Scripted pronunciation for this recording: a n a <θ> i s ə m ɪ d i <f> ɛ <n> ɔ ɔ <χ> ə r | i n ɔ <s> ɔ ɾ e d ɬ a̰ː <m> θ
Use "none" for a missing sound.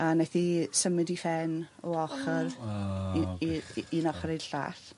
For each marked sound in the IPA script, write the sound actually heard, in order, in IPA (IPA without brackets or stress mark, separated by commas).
θ, f, n, χ, χ, none